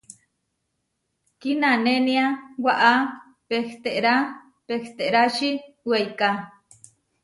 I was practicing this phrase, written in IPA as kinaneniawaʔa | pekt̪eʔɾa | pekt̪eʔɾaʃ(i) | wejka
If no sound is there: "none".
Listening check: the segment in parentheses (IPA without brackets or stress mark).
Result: i